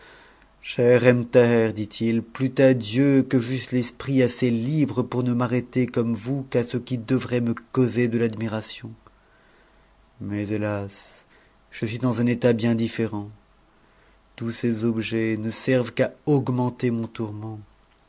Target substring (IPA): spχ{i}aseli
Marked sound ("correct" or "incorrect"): correct